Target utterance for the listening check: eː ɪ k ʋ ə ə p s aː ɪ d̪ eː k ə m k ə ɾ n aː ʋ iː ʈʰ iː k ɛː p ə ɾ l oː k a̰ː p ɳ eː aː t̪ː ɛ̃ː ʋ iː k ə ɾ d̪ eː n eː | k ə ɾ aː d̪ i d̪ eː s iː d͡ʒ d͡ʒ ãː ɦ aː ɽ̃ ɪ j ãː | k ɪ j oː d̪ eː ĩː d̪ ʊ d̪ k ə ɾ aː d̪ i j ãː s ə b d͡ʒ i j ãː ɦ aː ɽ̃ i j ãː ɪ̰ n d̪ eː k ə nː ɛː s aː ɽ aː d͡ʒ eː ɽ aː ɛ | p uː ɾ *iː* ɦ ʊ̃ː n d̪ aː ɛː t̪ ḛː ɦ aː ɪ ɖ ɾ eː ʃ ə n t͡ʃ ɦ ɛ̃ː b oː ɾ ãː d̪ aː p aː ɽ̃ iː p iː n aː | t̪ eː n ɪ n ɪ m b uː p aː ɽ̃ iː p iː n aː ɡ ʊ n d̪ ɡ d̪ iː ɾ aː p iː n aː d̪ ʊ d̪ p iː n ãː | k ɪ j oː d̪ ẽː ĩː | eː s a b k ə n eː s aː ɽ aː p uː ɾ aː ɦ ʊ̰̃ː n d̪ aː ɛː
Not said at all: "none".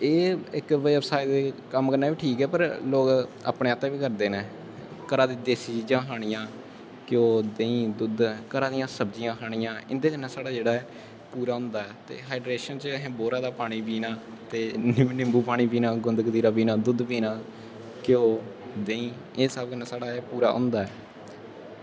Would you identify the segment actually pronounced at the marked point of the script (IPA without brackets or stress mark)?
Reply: aː